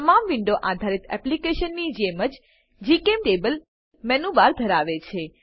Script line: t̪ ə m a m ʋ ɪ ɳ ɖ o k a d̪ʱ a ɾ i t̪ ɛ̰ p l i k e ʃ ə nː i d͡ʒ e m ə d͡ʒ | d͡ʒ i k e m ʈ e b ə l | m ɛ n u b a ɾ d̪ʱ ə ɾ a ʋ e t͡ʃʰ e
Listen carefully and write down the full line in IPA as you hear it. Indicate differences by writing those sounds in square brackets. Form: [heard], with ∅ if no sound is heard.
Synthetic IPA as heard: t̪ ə m a m ʋ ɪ ɳ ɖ o [ʔ] a d̪ʱ a ɾ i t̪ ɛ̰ p l i k e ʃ ə nː i d͡ʒ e m ə d͡ʒ | d͡ʒ i k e m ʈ e b ə l | m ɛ n u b a ɾ d̪ʱ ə ɾ a ʋ e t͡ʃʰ e